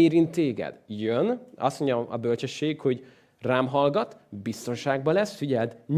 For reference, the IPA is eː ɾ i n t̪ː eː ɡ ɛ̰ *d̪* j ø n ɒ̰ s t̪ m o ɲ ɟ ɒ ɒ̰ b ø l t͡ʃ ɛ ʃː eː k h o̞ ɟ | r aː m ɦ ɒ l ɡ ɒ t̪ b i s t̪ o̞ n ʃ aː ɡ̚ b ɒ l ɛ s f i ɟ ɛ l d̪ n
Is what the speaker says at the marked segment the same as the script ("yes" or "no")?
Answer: yes